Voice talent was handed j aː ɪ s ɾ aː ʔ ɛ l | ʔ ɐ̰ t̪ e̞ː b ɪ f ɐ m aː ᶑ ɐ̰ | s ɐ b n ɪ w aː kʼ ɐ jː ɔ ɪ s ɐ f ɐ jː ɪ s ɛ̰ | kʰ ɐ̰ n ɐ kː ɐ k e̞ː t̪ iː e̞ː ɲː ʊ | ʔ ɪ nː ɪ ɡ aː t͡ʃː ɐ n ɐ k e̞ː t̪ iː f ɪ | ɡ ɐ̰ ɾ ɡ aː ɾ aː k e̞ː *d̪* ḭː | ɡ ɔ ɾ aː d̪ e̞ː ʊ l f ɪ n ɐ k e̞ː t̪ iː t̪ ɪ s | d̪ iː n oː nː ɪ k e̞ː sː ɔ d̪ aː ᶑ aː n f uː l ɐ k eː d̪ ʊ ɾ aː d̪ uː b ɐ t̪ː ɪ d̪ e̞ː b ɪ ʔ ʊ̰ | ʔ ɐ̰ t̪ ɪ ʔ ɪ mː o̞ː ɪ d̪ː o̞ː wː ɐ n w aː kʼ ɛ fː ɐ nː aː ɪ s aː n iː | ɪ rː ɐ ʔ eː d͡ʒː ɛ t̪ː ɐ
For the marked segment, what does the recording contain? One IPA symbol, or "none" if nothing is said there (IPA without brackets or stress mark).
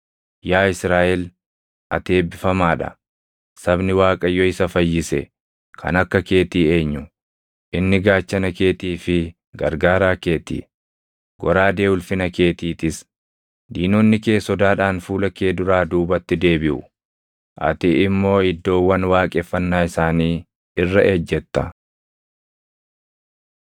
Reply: t̪